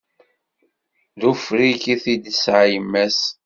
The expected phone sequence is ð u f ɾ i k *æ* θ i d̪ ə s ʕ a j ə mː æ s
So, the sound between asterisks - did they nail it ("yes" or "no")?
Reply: no